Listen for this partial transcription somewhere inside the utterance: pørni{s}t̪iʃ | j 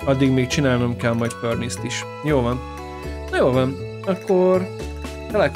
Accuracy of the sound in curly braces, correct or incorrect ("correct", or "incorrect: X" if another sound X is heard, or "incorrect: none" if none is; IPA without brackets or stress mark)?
correct